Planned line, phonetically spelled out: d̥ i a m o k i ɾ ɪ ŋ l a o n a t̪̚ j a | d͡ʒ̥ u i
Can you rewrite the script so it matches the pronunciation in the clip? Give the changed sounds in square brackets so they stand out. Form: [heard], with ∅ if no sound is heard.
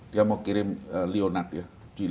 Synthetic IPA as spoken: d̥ i a m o k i ɾ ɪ [m] l [i] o n a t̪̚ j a | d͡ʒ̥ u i